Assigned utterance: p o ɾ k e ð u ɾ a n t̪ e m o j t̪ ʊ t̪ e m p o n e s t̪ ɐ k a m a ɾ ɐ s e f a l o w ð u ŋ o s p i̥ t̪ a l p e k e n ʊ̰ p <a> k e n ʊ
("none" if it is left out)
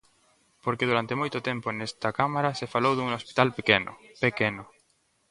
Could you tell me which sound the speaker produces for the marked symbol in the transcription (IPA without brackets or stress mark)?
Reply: e